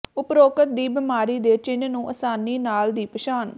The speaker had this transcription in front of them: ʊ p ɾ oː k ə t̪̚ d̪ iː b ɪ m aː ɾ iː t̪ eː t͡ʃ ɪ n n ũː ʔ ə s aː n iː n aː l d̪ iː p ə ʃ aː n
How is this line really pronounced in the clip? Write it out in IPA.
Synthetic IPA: ʊ p ɾ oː k ə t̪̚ d̪ iː b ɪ m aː ɾ iː d̪ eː t͡ʃ ɪ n n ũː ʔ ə s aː n iː n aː l d̪ iː p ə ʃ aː n